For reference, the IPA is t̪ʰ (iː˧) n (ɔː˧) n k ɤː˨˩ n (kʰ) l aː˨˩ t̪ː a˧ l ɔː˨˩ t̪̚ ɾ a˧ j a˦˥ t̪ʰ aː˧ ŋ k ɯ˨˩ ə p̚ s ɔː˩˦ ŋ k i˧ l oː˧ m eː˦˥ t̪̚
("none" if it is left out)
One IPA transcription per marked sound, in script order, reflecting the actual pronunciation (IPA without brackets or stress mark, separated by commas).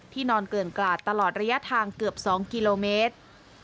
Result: iː˥˩, ɔː˧, k